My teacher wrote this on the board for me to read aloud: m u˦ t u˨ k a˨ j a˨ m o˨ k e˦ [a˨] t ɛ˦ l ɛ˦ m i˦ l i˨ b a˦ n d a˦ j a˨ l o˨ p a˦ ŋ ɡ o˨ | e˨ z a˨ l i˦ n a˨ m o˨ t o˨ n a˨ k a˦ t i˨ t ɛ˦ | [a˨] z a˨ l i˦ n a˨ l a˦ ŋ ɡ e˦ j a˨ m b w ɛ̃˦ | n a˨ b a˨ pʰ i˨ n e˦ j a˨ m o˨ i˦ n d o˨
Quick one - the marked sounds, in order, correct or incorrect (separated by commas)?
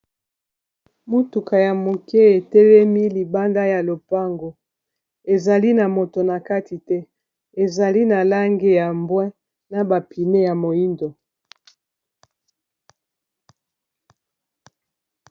incorrect, incorrect